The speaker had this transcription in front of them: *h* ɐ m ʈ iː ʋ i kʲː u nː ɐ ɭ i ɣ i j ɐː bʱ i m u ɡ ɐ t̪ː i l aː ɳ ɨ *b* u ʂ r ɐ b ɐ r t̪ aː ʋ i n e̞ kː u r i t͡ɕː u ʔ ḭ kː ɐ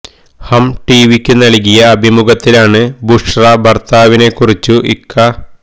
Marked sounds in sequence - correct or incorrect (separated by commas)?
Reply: correct, correct